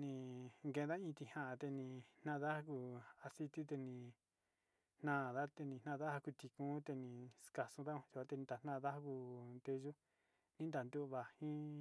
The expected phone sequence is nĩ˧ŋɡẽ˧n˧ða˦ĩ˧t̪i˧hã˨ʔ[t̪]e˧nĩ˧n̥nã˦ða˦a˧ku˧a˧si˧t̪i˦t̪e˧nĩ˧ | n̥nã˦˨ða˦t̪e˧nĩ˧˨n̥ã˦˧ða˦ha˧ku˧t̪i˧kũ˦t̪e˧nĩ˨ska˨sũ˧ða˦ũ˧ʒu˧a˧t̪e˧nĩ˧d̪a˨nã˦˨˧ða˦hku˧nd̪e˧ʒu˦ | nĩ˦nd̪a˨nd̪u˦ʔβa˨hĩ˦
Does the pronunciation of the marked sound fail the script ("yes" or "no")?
no